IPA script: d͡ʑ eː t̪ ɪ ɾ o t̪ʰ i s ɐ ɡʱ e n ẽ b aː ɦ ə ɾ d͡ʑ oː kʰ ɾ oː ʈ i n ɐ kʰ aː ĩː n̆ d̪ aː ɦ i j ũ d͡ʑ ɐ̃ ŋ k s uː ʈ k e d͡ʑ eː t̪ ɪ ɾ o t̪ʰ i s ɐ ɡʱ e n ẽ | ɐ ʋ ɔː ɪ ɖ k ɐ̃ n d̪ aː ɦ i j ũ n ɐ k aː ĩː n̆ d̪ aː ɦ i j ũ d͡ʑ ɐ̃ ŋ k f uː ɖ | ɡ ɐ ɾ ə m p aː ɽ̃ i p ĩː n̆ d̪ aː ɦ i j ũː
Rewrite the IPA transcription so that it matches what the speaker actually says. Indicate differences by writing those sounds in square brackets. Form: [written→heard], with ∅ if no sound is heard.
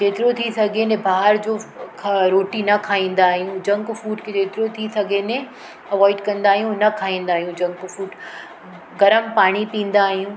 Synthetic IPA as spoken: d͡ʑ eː t̪ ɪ ɾ o t̪ʰ i s ɐ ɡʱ e n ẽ b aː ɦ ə ɾ d͡ʑ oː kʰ ɾ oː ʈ i n ɐ kʰ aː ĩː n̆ d̪ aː ɦ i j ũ d͡ʑ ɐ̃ ŋ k [s→f] uː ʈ k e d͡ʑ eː t̪ ɪ ɾ o t̪ʰ i s ɐ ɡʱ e n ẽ | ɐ ʋ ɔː ɪ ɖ k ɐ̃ n d̪ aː ɦ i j ũ n ɐ [k→kʰ] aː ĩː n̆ d̪ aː ɦ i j ũ d͡ʑ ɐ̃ ŋ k f uː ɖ | ɡ ɐ ɾ ə m p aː ɽ̃ i p ĩː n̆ d̪ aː ɦ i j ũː